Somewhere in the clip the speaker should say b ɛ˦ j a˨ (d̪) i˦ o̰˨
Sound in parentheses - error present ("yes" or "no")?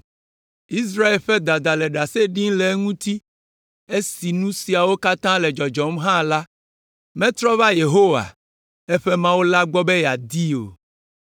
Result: no